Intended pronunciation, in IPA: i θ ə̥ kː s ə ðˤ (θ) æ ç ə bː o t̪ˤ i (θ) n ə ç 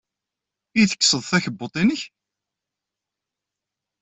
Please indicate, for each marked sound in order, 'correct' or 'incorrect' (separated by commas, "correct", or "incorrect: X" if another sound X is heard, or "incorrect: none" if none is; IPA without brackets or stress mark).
correct, incorrect: none